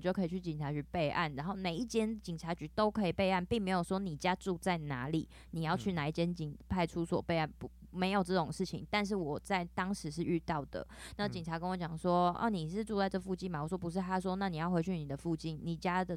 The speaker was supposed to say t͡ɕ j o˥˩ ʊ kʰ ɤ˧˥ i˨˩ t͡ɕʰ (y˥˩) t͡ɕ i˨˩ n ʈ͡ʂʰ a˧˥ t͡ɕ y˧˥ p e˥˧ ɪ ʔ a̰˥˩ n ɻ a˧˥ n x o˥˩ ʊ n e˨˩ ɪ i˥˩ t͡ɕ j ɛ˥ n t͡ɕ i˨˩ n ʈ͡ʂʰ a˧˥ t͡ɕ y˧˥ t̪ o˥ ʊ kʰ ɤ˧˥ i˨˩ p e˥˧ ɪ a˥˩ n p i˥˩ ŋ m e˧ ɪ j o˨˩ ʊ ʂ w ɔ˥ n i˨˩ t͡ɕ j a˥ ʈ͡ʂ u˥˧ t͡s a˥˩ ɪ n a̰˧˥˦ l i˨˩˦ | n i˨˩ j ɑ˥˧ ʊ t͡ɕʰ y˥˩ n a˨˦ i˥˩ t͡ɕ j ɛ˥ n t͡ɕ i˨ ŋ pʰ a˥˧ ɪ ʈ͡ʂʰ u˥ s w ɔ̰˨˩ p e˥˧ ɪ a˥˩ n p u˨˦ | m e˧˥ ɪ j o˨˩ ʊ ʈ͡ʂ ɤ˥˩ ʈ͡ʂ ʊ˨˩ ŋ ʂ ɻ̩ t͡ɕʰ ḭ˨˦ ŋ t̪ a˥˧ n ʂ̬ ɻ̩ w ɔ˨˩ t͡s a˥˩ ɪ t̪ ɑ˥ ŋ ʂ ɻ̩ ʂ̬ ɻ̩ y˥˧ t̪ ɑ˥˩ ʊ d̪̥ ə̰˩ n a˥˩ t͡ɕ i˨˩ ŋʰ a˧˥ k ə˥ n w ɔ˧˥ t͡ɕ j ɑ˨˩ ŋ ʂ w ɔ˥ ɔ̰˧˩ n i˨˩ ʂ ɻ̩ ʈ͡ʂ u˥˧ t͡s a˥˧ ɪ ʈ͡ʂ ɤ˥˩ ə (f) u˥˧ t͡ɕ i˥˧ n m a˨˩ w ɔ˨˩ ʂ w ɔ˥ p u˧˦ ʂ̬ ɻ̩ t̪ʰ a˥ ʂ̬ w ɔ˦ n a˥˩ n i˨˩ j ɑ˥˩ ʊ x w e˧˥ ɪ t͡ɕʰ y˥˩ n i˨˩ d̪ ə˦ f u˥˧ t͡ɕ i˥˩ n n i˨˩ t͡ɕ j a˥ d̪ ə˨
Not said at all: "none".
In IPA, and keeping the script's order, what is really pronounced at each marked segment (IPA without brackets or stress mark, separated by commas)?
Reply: y˥˩, f